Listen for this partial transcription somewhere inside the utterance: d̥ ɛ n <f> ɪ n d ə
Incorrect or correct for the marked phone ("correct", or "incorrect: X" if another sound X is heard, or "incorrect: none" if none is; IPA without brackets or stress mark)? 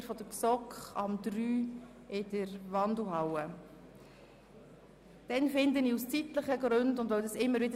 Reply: correct